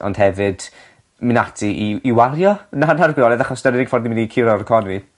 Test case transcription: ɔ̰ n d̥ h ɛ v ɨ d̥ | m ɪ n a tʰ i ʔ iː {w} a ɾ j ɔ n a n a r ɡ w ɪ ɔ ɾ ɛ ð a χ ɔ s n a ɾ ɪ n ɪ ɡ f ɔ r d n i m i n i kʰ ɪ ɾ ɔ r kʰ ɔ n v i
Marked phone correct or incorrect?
correct